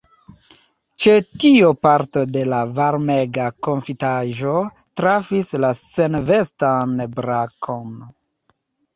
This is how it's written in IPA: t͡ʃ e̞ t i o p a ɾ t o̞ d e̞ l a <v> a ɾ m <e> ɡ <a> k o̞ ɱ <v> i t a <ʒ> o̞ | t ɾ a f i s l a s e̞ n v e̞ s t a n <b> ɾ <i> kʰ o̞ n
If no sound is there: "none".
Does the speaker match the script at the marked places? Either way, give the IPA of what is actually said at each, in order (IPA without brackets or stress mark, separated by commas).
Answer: v, e, a, f, ʒ, b, a